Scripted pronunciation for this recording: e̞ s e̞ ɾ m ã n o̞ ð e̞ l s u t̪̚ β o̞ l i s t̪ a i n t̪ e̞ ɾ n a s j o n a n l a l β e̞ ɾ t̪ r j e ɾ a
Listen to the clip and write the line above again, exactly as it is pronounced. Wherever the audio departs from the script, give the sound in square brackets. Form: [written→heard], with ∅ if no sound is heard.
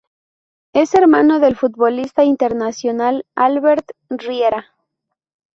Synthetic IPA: e̞ s e̞ ɾ m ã n o̞ ð e̞ l [s→f] u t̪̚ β o̞ l i s t̪ a i n t̪ e̞ ɾ n a s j o n a [n→∅] l a l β e̞ ɾ t̪ r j e ɾ a